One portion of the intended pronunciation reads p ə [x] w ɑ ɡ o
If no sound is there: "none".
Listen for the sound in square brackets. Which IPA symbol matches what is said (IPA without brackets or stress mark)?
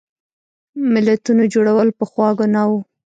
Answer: x